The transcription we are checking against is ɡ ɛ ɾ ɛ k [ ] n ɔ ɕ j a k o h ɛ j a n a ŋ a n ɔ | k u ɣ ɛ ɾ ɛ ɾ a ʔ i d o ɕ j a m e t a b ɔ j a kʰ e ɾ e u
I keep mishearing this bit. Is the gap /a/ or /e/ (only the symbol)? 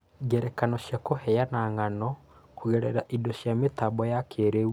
a